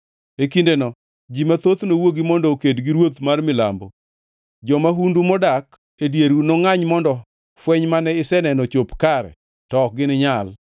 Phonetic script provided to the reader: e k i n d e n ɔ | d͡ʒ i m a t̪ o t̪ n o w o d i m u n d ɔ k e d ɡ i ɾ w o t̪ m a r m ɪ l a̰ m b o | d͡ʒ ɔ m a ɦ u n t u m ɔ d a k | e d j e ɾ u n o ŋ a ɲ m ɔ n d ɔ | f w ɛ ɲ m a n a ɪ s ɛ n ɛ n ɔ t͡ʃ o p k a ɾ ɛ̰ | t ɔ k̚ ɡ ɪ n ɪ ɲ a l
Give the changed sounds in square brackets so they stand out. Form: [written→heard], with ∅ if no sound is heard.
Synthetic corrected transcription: e k i n d e n ɔ | d͡ʒ i m a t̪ o t̪ n o w o [d→ɡ] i m [u→ɔ] n d ɔ k e d ɡ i ɾ w o t̪ m a r m ɪ l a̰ m b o | d͡ʒ ɔ m a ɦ u n [t→d] u m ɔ d a k | e d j e ɾ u n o ŋ a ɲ m ɔ n d ɔ | f w ɛ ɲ m a n [a→ɛ] ɪ s ɛ n ɛ n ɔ t͡ʃ o p k a ɾ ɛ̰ | t ɔ k̚ ɡ ɪ n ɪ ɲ a l